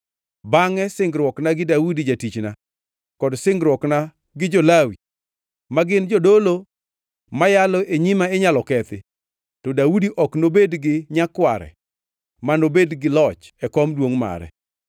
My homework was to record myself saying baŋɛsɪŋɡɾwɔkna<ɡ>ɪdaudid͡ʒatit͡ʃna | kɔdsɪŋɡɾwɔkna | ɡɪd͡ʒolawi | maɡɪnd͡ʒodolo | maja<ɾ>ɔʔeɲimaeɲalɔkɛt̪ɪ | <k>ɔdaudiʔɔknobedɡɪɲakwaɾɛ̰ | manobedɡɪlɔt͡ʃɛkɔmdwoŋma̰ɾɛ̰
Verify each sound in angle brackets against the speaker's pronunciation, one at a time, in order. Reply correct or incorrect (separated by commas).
correct, incorrect, incorrect